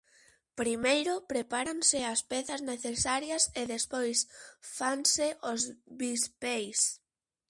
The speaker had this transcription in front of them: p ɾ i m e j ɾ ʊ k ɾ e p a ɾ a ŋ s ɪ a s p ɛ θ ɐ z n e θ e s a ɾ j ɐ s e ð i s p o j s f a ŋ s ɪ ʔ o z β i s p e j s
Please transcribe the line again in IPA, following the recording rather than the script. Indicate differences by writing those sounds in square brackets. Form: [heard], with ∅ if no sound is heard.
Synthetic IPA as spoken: p ɾ i m e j ɾ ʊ [p] ɾ e p a ɾ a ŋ s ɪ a s p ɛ θ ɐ z n e θ e s a ɾ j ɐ s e ð [e] s p o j s f a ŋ s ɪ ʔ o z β i s p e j s